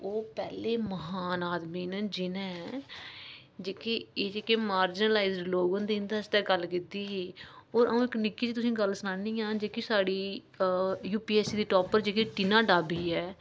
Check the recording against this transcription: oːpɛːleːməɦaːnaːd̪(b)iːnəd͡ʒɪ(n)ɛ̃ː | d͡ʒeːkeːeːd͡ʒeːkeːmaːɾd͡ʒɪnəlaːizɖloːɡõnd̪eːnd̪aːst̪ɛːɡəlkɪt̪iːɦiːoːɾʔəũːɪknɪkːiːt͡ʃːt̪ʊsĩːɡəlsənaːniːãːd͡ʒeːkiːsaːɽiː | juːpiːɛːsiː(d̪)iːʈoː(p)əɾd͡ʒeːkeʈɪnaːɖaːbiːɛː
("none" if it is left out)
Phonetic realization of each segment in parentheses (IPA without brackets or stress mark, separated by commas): m, n, d̪, p